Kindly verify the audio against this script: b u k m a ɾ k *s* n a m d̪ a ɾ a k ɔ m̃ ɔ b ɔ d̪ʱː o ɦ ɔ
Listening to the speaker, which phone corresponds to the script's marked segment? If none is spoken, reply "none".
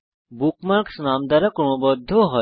s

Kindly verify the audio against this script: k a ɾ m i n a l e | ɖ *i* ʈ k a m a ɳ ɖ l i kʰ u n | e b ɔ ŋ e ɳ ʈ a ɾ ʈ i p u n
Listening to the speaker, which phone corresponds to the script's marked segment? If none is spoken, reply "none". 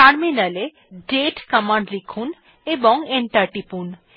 e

